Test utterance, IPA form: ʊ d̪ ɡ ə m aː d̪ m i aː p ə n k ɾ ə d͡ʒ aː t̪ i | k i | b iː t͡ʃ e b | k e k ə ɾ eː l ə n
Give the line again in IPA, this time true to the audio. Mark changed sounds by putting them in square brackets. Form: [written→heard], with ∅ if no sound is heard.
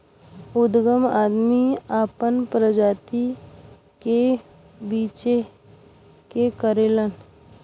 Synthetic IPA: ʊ d̪ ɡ ə m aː d̪ m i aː p ə n [k→p] ɾ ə d͡ʒ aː t̪ i | k [i→e] | b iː t͡ʃ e [b→∅] | k e k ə ɾ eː l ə n